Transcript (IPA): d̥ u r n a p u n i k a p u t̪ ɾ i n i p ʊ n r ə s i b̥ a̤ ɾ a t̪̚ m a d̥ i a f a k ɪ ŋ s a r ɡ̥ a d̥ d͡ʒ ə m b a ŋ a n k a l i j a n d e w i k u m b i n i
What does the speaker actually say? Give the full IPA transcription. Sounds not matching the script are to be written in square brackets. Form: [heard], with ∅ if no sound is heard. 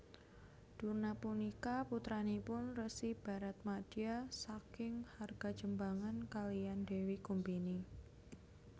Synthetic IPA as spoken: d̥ u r n a p u n i k a p u t̪ ɾ [a] n i p ʊ n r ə s i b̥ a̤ ɾ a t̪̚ m a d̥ i a [s] a k ɪ ŋ [h] a r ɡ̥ a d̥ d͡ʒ ə m b a ŋ a n k a l i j a n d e w i k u m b i n i

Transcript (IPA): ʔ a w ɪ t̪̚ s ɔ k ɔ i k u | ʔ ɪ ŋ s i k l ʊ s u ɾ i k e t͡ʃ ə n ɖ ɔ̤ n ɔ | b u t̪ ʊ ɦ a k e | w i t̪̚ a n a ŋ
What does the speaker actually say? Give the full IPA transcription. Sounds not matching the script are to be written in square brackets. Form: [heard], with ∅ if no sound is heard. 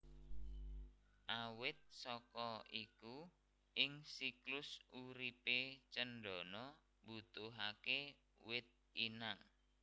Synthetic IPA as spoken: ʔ a w ɪ t̪̚ s ɔ k ɔ i k u | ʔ ɪ ŋ s i k l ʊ s u ɾ i [p] e t͡ʃ ə n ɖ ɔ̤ n ɔ | b u t̪ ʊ ɦ a k e | w [ɪ] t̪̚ [i] n a ŋ

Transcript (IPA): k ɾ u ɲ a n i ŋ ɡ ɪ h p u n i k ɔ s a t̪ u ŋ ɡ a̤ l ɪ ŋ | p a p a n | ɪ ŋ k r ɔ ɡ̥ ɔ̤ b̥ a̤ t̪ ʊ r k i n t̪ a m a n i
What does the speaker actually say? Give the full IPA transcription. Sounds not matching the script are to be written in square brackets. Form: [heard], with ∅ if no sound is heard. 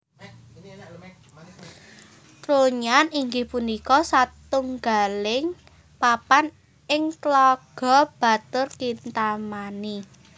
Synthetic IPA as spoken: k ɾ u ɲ a n i ŋ ɡ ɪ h p u n i k ɔ s a t̪ u ŋ ɡ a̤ l ɪ ŋ | p a p a n | ɪ ŋ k [l] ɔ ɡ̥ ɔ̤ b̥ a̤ t̪ ʊ r k i n t̪ a m a n i

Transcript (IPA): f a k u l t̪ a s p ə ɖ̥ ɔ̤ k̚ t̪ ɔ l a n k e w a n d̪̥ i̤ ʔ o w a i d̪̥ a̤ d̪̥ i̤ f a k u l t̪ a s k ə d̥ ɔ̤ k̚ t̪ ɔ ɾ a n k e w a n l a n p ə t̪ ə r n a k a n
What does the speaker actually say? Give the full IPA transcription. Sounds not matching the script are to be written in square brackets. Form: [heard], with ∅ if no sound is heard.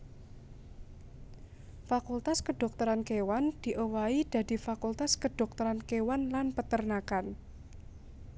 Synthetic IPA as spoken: f a k u l t̪ a s [k] ə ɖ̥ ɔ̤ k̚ t̪ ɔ [ɾ] a n k e w a n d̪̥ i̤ ʔ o w a i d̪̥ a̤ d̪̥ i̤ f a k u l t̪ a s k ə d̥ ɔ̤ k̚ t̪ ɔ ɾ a n k e w a n l a n p ə t̪ ə r n a k a n

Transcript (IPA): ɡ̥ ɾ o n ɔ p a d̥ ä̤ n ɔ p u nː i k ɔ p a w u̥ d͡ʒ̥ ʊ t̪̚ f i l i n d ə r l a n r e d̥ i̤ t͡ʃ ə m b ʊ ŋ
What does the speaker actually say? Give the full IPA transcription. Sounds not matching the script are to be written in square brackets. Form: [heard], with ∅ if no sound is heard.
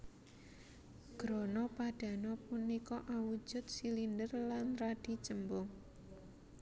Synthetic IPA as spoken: ɡ̥ ɾ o n ɔ p a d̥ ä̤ n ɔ p u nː i k ɔ [ʔ] a w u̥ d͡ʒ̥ ʊ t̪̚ [s] i l i n d ə r l a n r [a] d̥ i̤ t͡ʃ ə m b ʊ ŋ

